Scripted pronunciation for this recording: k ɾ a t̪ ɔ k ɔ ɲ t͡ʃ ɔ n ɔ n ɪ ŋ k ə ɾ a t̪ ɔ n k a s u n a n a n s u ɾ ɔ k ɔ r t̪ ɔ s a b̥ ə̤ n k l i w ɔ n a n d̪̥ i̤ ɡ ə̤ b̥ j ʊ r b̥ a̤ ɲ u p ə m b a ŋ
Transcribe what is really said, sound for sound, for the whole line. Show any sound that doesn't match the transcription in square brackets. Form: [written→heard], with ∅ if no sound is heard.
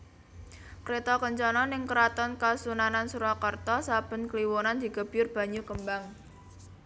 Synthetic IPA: k ɾ [a→e] t̪ ɔ k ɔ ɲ t͡ʃ ɔ n ɔ n ɪ ŋ k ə ɾ a t̪ ɔ n k a s u n a n a n s u ɾ ɔ k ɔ r t̪ ɔ s a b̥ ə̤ n k l i w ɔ n a n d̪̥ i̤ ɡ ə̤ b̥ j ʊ r b̥ a̤ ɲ u [p→k] ə m b a ŋ